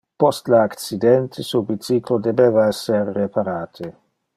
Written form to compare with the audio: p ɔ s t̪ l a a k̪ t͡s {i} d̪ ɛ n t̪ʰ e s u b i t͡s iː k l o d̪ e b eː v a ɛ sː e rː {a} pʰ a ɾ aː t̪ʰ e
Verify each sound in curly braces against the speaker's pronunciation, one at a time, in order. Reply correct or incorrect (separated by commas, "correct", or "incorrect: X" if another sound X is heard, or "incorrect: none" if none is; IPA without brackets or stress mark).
correct, incorrect: e